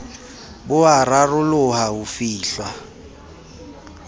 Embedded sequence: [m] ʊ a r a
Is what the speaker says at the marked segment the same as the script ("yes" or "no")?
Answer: no